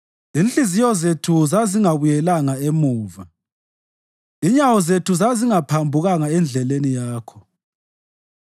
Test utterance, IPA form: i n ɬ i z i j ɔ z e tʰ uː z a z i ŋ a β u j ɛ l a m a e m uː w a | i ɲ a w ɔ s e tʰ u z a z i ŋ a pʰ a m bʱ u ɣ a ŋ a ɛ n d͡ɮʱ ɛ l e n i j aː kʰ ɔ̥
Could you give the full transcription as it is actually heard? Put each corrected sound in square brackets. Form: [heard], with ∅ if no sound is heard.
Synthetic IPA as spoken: i n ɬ i z i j ɔ z e tʰ [u] z a z i ŋ a β u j ɛ l a [ŋ] a e m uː [v] a | i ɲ a w ɔ [z] e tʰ u z a z i ŋ a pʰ a m bʱ u ɣ a ŋ a ɛ n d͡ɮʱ ɛ l e n i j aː kʰ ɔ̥

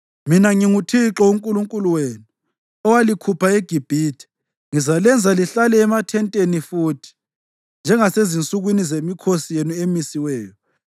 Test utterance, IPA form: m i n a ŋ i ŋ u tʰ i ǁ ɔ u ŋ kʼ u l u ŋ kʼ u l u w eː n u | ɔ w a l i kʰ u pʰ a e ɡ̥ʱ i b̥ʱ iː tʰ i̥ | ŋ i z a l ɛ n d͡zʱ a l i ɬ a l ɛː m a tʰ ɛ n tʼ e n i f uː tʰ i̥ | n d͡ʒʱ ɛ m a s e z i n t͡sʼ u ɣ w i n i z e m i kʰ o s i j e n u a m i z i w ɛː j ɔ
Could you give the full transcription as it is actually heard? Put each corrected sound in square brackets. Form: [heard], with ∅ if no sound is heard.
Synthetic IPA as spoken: m i n a ŋ i ŋ u tʰ i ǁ ɔ u ŋ kʼ u l u ŋ kʼ u l u w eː n u | ɔ w a l i kʰ u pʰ a e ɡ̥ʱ i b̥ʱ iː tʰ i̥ | ŋ i z a l ɛ n d͡zʱ a l i ɬ a l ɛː m a tʰ ɛ n tʼ e n i f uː tʰ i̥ | n d͡ʒʱ ɛ [ŋ] a s e z i n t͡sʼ u ɣ w i n i z e m i kʰ o s i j e n u [e] m i [s] i w ɛː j ɔ

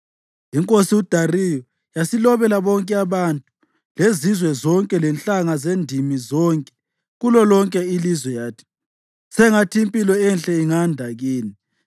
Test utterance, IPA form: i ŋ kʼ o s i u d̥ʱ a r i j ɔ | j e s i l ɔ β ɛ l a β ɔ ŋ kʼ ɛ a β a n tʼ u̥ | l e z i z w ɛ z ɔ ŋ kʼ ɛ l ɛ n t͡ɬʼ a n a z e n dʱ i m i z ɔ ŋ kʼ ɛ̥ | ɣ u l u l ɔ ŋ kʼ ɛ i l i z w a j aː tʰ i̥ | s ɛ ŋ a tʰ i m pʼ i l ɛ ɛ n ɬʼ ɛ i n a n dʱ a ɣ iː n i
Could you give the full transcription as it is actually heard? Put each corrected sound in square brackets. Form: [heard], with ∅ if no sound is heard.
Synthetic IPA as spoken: i ŋ kʼ o s i u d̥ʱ a r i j ɔ | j [a] s i l ɔ β ɛ l a β ɔ ŋ kʼ ɛ a β a n tʼ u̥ | l e z i z w ɛ z ɔ ŋ kʼ ɛ l ɛ n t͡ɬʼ a [ŋ] a z e n dʱ i m i z ɔ ŋ kʼ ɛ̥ | ɣ u l [ɔ] l ɔ ŋ kʼ ɛ i l i z w [ɛ] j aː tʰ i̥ | s ɛ ŋ a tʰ i m pʼ i l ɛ ɛ n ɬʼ ɛ i [ŋ] a n dʱ a ɣ iː n i

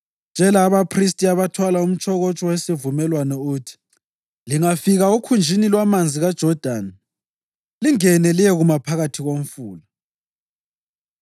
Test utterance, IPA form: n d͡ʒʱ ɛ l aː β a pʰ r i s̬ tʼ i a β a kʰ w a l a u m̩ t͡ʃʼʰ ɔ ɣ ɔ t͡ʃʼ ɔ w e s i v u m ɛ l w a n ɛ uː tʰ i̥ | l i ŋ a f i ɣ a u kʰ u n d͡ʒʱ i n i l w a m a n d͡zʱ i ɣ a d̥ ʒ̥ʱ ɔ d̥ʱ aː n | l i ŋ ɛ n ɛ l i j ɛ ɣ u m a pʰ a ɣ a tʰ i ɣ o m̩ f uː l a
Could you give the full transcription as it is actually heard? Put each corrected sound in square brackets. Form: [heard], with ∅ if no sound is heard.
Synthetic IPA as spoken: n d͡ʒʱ ɛ l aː β a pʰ r i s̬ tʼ i a β a [tʰ] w a l a u m̩ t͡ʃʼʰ ɔ ɣ ɔ t͡ʃʼ ɔ w e s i v u m ɛ l w a n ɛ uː tʰ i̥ | l i ŋ a f i ɣ a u kʰ u n d͡ʒʱ i n i l w a m a n d͡zʱ i ɣ a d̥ ʒ̥ʱ ɔ d̥ʱ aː n | l i ŋ ɛ n ɛ l i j ɛ ɣ u m a pʰ a ɣ a tʰ i ɣ o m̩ f uː l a

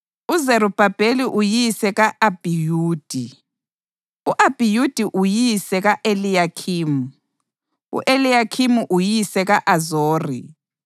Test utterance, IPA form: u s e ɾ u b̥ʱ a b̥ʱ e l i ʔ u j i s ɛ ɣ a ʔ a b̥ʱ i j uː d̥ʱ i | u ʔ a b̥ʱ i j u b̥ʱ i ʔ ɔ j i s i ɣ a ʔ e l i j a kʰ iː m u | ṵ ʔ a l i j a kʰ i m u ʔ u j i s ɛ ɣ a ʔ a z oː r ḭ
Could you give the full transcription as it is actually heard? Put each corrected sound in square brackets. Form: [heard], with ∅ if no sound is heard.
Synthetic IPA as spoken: u [z] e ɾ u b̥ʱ a b̥ʱ e l i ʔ u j i s ɛ ɣ a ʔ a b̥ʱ i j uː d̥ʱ i | u ʔ a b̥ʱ i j u [d̥ʱ] i ʔ [u] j i s [ɛ] ɣ a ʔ e l i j a kʰ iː m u | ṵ ʔ [e] l i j a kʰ i m u ʔ u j i s ɛ ɣ a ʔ a z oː r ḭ

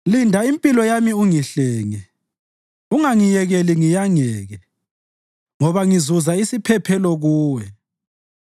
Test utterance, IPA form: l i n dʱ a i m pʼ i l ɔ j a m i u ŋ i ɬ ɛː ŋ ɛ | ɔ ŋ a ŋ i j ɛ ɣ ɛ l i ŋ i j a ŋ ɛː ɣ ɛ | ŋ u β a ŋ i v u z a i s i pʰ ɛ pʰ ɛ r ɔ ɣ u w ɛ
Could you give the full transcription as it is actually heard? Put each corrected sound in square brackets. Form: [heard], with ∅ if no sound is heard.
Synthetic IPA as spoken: l i n dʱ a i m pʼ i l ɔ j a m i u ŋ i ɬ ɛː ŋ ɛ | [u] ŋ a ŋ i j ɛ ɣ ɛ l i ŋ i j a ŋ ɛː ɣ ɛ | ŋ [ɔ] β a ŋ i [z] u z a i s i pʰ ɛ pʰ ɛ [l] ɔ ɣ [uː] w ɛ

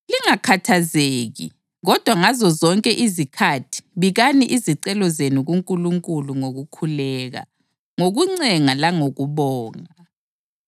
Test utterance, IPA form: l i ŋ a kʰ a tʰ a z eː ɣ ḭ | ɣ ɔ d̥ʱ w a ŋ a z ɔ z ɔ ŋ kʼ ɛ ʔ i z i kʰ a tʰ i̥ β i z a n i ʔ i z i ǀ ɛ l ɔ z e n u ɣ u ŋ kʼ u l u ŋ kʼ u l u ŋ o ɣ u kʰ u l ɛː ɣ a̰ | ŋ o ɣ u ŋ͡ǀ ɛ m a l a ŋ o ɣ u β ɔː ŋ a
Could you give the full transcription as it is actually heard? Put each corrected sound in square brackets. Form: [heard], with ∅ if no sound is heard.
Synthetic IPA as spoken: l i ŋ a kʰ a tʰ a z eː ɣ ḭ | ɣ ɔ d̥ʱ w a ŋ a z ɔ z ɔ ŋ kʼ ɛ ʔ i z i kʰ a tʰ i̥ β i [ɣ] a n i ʔ i z i ǀ ɛ l ɔ z e n u ɣ u ŋ kʼ u l u ŋ kʼ u l u ŋ o ɣ u kʰ u l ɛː ɣ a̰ | ŋ o ɣ u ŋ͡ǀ ɛ [ŋ] a l a ŋ o ɣ u β ɔː ŋ a

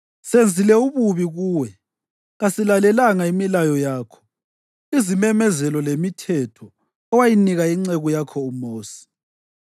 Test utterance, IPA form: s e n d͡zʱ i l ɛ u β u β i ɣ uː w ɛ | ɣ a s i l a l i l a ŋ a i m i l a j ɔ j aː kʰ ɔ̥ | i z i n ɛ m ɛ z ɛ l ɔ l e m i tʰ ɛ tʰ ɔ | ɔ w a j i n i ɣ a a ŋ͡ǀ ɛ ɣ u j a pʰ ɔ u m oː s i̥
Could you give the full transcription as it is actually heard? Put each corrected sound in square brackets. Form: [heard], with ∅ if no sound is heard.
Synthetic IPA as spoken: s e n d͡zʱ i l ɛ u β u β i ɣ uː w ɛ | ɣ a s i l a l [ɛ] l a ŋ a i m i l a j ɔ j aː kʰ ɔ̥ | i z i [m] ɛ m ɛ z ɛ l ɔ l e m i tʰ ɛ tʰ ɔ | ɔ w a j i n i ɣ a [i] ŋ͡ǀ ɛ ɣ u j a [kʰ] ɔ u m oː s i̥

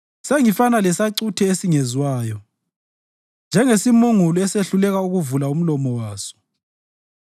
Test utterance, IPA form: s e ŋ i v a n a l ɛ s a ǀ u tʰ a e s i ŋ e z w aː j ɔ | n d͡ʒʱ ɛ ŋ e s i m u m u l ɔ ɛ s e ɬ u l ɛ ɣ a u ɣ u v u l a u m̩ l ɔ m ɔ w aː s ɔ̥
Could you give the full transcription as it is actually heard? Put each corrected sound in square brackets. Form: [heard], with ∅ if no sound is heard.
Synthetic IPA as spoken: s e ŋ i [f] a n a l ɛ s a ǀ u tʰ [ɛ] e s i ŋ e z w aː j ɔ | n d͡ʒʱ ɛ ŋ e s i m u [ŋ] u l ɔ ɛ s e ɬ u l ɛ ɣ a u ɣ u v u l a u m̩ l ɔ m ɔ w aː s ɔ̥

